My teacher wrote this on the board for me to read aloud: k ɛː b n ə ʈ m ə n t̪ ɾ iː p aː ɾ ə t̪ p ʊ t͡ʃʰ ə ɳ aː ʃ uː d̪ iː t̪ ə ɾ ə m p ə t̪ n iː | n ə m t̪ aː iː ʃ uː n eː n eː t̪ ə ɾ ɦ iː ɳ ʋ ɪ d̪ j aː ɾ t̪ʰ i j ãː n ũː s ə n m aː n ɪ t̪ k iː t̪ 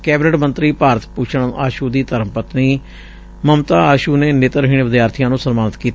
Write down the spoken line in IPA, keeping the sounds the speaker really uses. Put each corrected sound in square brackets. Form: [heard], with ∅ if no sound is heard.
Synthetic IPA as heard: k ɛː b n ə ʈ m ə n t̪ ɾ iː p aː ɾ ə t̪ p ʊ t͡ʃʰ ə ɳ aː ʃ uː d̪ iː t̪ ə ɾ ə m p ə t̪ n iː | [m] ə m t̪ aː [aː] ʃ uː n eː n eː t̪ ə ɾ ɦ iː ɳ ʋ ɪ d̪ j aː ɾ t̪ʰ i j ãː n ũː s ə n m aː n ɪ t̪ k iː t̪

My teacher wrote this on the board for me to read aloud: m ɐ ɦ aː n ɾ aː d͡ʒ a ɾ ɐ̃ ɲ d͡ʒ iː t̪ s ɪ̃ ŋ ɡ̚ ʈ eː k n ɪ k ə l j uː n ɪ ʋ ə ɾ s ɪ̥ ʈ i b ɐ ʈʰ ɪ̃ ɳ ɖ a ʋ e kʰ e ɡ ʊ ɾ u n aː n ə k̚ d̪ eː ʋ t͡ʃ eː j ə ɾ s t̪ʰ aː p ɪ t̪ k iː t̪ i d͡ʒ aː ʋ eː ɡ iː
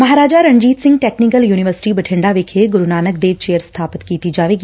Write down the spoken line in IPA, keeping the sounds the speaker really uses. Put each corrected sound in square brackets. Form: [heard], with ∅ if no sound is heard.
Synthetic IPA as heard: m ɐ ɦ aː [∅] ɾ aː d͡ʒ a ɾ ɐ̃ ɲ d͡ʒ iː t̪ s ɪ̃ ŋ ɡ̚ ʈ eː k n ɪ k ə l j uː n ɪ ʋ ə ɾ s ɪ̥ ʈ i b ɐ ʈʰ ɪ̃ ɳ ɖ a ʋ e kʰ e ɡ ʊ ɾ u n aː n ə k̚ d̪ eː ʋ t͡ʃ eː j ə ɾ s t̪ʰ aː p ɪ t̪ k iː t̪ i d͡ʒ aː ʋ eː ɡ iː

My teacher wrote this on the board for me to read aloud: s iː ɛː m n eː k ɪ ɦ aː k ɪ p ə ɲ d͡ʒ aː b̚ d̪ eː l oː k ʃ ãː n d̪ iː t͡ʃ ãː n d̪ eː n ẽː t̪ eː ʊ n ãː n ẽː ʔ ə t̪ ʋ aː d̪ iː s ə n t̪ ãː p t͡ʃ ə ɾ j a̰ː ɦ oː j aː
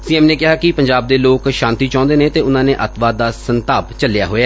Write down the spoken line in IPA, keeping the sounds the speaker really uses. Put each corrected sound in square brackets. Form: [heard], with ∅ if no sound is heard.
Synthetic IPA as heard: s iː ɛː m n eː k ɪ ɦ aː k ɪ p ə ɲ d͡ʒ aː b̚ d̪ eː l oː k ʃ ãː n [t̪] iː t͡ʃ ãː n d̪ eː n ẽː t̪ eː ʊ n ãː n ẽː ʔ ə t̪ ʋ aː d̪ [aː] s ə n t̪ [aː] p t͡ʃ ə [l] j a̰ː ɦ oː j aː

